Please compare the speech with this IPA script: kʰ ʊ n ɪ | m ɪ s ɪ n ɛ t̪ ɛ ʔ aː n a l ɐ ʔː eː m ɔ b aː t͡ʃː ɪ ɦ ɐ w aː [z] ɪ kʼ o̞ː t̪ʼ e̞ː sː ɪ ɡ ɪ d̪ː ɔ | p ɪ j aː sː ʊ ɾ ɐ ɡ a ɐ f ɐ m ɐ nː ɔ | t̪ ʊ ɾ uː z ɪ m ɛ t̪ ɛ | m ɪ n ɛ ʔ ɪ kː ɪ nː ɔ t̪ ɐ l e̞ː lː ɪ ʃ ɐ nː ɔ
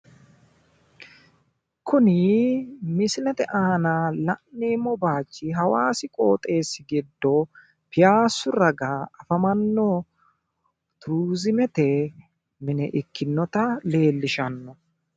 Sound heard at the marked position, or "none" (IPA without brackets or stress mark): s